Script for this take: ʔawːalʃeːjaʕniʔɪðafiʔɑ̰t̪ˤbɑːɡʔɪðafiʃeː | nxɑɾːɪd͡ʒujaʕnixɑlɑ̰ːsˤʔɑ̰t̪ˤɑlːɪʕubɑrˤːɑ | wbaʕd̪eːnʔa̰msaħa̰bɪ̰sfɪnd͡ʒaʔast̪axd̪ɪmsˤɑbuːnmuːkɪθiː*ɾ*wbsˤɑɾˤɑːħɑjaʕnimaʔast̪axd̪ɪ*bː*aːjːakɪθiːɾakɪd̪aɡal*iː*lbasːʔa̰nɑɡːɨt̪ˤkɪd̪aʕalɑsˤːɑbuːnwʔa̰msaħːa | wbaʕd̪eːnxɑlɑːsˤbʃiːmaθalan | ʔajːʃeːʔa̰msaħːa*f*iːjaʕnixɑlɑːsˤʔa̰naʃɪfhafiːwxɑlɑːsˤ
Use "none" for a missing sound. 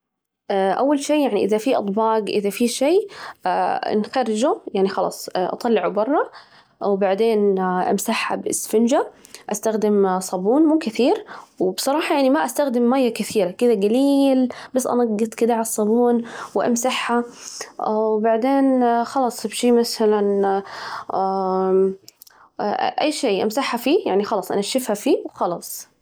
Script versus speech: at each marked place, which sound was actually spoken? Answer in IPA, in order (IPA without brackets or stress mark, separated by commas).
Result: ɾ, mː, iː, f